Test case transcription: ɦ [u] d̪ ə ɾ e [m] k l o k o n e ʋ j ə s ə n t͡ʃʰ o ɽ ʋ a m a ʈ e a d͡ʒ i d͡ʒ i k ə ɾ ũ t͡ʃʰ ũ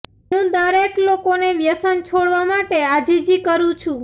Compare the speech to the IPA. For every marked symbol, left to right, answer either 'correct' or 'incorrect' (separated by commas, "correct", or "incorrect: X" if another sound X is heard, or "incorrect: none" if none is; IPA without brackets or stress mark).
incorrect: ũ, incorrect: none